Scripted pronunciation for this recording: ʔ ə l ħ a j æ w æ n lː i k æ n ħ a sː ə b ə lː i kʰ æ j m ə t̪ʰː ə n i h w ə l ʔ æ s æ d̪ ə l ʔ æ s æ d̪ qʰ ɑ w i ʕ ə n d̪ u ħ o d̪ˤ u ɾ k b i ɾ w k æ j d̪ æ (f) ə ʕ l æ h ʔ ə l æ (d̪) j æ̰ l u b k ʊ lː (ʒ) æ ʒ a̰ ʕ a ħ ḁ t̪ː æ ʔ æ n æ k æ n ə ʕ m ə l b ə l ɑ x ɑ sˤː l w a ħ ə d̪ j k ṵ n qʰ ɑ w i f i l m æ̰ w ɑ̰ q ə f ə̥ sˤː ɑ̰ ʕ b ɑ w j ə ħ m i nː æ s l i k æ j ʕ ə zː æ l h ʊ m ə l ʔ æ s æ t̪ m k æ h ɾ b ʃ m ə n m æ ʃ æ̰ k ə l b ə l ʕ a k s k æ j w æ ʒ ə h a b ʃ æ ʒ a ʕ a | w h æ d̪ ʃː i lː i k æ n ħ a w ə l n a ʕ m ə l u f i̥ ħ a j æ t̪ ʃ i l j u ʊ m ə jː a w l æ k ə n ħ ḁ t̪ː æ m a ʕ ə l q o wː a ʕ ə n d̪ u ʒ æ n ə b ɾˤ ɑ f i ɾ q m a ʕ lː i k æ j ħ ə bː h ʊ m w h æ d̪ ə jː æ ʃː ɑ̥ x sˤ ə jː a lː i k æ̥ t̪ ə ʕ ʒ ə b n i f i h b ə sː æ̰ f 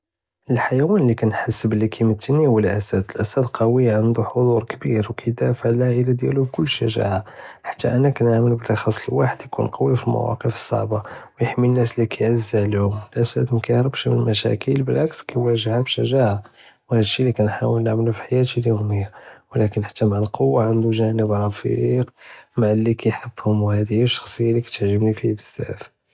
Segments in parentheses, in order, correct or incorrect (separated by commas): correct, correct, incorrect